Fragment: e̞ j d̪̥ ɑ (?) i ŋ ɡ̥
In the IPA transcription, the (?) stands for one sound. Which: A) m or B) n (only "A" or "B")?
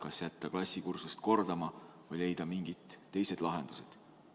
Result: A